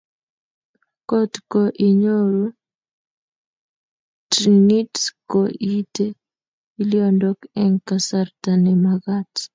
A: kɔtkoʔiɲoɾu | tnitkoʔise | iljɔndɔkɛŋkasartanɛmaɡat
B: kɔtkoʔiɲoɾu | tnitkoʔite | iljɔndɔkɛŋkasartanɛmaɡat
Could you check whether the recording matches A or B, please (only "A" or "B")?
B